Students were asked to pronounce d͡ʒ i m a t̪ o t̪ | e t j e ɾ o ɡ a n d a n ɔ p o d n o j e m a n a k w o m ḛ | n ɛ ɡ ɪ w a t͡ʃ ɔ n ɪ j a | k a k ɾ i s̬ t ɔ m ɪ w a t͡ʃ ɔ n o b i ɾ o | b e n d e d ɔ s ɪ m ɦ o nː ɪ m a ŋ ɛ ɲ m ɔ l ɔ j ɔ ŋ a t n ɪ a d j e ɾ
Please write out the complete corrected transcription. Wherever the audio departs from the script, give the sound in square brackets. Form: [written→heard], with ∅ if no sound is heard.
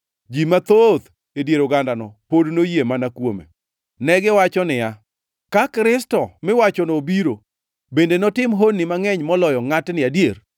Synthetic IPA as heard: d͡ʒ i m a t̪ o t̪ | e [t→d] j e ɾ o ɡ a n d a n ɔ p o d n o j e m a n a k w o m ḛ | n ɛ ɡ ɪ w a t͡ʃ ɔ n ɪ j a | k a k ɾ [i→ɪ] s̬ t ɔ m ɪ w a t͡ʃ ɔ n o b i ɾ o | b e n d e [d→n] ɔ [s→t] ɪ m ɦ o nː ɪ m a ŋ ɛ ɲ m ɔ l ɔ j ɔ ŋ a t n ɪ a d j e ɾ